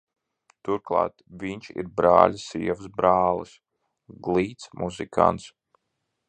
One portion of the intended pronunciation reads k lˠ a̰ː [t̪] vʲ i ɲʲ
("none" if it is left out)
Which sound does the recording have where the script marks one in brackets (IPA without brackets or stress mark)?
t̪